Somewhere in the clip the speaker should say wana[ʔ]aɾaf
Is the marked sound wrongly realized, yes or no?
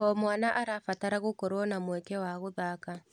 no